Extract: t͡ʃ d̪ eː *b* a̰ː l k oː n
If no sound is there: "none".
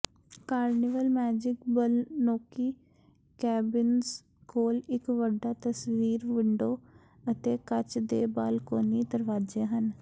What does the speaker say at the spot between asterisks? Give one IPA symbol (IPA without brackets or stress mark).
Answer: b